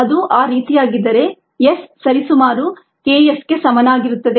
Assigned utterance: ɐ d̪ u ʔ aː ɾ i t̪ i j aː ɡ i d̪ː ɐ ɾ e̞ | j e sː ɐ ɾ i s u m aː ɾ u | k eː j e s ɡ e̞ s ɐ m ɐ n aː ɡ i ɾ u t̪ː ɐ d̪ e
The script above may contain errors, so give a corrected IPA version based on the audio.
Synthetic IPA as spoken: ɐ d̪ u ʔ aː ɾ iː t̪ i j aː ɡ i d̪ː ɐ ɾ e̞ | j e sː ɐ ɾ i s u m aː ɾ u | k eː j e s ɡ e̞ s ɐ m ɐ n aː ɡ i ɾ u t̪ː ɐ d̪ e